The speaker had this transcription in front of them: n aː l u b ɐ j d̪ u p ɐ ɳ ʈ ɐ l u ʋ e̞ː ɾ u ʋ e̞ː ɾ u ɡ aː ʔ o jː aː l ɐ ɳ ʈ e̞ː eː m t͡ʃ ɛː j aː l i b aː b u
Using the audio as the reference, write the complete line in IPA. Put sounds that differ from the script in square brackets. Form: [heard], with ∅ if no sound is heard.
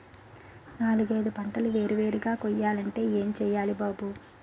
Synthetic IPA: n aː l u [ɡ] ɐ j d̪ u p ɐ ɳ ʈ ɐ l u ʋ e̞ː ɾ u ʋ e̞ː ɾ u ɡ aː [k] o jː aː l ɐ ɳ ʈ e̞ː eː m t͡ʃ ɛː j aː l i b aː b u